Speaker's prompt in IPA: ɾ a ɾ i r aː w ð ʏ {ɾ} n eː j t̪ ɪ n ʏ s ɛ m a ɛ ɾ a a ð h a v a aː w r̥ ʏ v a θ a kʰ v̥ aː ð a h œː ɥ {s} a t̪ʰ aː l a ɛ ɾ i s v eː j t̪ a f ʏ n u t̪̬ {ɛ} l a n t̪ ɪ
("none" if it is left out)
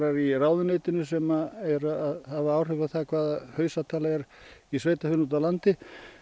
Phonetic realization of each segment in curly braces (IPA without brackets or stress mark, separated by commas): none, s, a